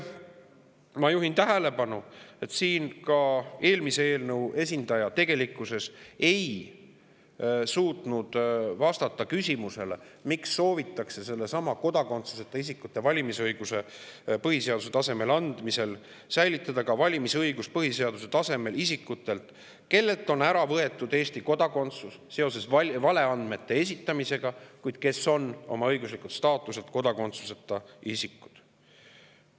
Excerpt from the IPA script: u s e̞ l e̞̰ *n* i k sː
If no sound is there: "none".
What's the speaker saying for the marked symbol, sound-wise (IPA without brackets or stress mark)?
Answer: m